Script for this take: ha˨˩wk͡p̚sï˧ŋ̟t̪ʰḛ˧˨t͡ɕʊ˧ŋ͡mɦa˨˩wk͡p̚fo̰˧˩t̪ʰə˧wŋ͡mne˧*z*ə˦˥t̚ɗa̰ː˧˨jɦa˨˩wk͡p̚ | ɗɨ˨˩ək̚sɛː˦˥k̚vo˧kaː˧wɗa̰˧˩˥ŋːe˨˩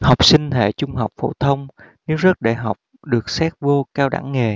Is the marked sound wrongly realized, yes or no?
no